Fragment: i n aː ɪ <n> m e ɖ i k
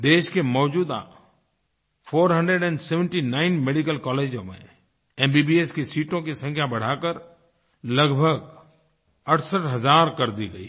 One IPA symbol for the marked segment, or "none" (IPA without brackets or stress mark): n